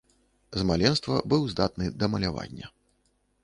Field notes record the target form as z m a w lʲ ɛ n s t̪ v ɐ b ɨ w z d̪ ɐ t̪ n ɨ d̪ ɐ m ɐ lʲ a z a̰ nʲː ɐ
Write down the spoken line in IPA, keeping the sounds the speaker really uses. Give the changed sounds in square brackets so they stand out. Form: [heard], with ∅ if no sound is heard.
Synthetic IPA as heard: z m a [∅] lʲ ɛ n s t̪ v ɐ b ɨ w z d̪ [a] t̪ n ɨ d̪ ɐ m ɐ lʲ a [v] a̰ nʲː ɐ